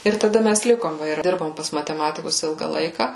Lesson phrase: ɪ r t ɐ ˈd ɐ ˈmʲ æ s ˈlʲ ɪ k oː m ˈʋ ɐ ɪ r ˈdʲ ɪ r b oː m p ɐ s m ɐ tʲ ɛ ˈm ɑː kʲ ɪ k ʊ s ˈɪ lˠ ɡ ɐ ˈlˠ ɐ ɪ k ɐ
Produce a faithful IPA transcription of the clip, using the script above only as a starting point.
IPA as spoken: ɪ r t ɐ ˈd ɐ ˈmʲ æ s ˈlʲ ɪ k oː m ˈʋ ɐ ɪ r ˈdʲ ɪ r b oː m p ɐ s m ɐ tʲ ɛ ˈm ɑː tʲ ɪ k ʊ s ˈɪ lˠ ɡ ɐ ˈlˠ ɐ ɪ k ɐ